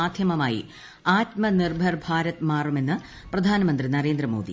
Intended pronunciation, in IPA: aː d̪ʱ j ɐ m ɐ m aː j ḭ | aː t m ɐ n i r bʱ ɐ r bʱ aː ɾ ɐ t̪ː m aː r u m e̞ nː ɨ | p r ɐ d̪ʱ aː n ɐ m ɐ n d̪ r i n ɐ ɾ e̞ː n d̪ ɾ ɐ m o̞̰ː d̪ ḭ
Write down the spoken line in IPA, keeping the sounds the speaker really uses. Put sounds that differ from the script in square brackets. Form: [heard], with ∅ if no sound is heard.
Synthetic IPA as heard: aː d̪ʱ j ɐ m ɐ m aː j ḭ | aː t m ɐ n i r bʱ ɐ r bʱ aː ɾ ɐ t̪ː m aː r u m e̞ nː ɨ | p r ɐ d̪ʱ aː n ɐ m ɐ n d̪ r i n ɐ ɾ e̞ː n d̪ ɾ ɐ m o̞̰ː d̪ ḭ